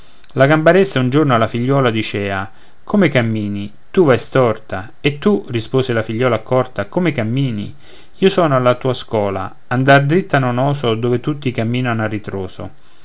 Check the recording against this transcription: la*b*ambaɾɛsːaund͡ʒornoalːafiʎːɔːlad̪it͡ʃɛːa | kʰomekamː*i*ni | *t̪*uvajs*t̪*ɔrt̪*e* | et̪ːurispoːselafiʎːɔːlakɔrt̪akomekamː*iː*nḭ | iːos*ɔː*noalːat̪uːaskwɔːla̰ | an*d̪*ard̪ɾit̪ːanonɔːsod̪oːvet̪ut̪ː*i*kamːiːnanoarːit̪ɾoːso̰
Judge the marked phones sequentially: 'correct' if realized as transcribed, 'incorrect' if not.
incorrect, incorrect, correct, correct, incorrect, correct, correct, correct, correct

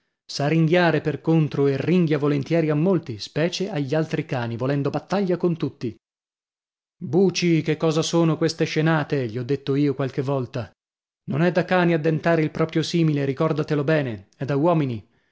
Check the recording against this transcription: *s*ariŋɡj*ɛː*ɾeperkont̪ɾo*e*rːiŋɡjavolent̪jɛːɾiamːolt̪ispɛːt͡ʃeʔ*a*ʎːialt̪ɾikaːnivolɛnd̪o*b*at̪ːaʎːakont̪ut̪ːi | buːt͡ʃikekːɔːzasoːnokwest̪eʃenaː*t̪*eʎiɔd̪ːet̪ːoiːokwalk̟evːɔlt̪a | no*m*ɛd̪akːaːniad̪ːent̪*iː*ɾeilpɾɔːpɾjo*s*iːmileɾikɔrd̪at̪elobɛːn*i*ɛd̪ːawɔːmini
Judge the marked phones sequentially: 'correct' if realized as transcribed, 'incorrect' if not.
correct, incorrect, correct, correct, correct, correct, incorrect, incorrect, correct, incorrect

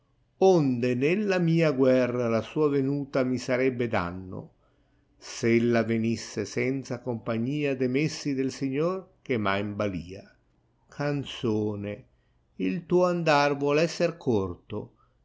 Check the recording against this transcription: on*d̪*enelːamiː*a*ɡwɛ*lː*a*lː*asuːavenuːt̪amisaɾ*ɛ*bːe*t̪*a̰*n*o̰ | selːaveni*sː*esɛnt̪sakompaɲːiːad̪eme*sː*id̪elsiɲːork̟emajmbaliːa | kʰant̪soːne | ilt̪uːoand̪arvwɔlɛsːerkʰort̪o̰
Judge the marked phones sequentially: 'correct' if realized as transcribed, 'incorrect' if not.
correct, correct, incorrect, incorrect, correct, incorrect, incorrect, correct, correct

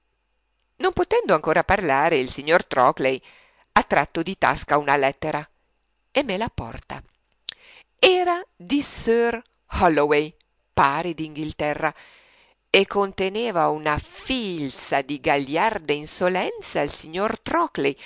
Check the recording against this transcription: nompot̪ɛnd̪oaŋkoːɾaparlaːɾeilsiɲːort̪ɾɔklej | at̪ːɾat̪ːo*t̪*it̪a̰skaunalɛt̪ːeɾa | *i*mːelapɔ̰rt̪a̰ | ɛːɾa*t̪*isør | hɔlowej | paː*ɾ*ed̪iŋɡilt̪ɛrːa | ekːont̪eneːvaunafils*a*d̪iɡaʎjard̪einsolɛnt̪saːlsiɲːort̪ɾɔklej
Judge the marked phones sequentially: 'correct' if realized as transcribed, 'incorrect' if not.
incorrect, incorrect, incorrect, correct, correct

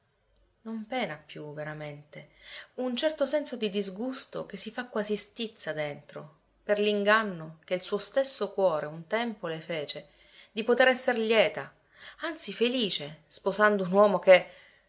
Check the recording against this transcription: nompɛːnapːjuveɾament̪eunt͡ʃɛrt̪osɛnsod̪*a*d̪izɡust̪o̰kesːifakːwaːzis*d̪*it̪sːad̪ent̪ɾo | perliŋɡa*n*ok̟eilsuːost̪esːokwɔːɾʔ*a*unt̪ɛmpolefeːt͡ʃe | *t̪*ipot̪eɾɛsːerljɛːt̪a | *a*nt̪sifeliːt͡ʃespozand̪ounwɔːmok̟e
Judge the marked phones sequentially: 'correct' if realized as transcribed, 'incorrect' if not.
incorrect, incorrect, incorrect, incorrect, incorrect, correct

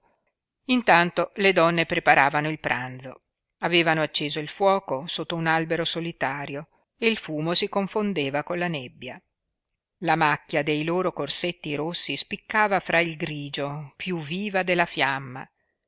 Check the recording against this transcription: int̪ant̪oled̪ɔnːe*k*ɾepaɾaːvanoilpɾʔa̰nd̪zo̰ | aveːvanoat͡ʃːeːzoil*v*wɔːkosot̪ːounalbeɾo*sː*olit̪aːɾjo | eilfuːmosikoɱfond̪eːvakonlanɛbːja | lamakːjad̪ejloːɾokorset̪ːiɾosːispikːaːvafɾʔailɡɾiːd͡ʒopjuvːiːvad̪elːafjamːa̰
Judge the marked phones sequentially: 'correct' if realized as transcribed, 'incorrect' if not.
incorrect, incorrect, incorrect

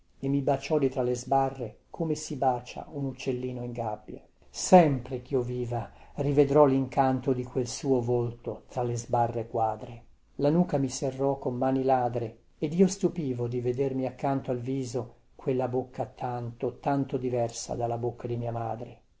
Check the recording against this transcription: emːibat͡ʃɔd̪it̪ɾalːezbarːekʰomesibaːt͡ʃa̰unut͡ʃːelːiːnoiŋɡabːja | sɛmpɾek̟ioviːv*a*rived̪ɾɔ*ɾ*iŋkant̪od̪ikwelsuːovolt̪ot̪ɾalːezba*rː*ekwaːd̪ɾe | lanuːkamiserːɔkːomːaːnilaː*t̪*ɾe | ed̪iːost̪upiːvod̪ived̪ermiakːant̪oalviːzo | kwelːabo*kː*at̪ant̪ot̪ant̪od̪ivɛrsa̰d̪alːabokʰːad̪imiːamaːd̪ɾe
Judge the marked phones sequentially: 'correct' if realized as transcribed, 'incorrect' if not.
correct, incorrect, correct, incorrect, correct

